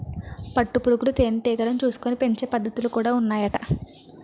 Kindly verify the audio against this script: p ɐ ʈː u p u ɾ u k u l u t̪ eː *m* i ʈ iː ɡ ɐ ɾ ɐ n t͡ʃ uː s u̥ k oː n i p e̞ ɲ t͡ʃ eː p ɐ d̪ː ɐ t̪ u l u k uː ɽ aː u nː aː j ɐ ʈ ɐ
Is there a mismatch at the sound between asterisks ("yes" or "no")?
yes